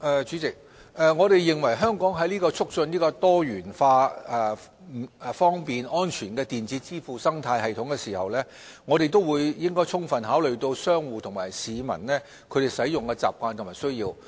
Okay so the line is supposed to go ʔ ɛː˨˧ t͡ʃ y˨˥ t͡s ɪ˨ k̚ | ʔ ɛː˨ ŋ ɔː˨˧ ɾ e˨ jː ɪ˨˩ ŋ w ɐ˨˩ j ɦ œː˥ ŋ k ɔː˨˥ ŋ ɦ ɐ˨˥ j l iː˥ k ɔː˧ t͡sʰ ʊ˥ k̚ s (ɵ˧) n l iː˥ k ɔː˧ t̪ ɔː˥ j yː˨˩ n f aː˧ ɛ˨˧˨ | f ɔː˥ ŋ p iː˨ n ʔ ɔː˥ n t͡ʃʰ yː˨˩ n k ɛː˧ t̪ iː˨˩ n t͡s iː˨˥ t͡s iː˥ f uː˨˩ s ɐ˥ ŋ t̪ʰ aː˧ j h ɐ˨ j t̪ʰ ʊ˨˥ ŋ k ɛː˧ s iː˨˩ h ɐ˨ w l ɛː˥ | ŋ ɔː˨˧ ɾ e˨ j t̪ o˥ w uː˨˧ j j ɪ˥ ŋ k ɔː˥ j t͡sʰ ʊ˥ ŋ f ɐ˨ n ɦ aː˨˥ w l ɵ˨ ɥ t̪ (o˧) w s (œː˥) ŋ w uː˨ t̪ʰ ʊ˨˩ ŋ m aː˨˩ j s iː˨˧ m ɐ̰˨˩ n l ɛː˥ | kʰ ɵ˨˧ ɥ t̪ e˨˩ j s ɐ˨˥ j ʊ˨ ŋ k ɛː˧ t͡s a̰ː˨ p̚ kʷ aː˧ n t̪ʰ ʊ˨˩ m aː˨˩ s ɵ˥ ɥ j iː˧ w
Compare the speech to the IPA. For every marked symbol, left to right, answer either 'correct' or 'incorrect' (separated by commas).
correct, correct, correct